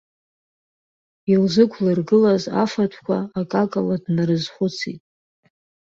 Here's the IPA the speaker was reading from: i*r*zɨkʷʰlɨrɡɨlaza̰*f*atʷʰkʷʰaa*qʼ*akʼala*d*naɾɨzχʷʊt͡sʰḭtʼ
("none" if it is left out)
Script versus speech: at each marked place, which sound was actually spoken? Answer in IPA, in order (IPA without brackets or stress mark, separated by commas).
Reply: l, f, kʼ, d